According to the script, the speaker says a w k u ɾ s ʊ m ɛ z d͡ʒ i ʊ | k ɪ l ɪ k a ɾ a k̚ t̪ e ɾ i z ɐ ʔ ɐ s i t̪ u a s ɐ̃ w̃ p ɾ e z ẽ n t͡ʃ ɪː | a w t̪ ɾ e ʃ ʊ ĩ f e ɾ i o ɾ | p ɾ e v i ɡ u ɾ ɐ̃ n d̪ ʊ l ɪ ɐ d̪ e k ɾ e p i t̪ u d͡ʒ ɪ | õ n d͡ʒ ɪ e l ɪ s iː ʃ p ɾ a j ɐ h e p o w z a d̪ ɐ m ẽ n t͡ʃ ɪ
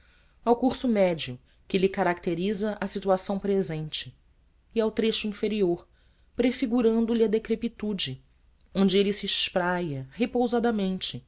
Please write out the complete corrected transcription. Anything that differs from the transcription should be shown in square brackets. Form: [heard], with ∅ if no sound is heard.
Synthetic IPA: a w k u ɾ s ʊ m ɛ [∅] d͡ʒ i ʊ | k ɪ l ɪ k a ɾ a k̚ t̪ e ɾ i z ɐ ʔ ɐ s i t̪ u a s ɐ̃ w̃ p ɾ e z ẽ n t͡ʃ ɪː | a w t̪ ɾ e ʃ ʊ ĩ f e ɾ i o ɾ | p ɾ e [f] i ɡ u ɾ ɐ̃ n d̪ ʊ l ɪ ɐ d̪ e k ɾ e p i t̪ u d͡ʒ ɪ | õ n d͡ʒ ɪ e l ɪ s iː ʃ p ɾ a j ɐ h e p o w z a d̪ ɐ m ẽ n t͡ʃ ɪ